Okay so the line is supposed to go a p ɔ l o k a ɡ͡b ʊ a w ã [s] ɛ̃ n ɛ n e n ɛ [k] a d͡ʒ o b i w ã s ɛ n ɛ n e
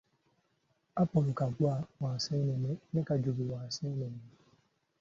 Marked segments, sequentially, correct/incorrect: correct, correct

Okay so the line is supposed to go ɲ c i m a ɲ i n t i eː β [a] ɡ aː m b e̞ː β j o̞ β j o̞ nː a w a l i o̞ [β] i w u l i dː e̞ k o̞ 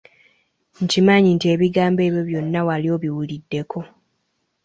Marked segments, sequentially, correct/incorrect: incorrect: i, correct

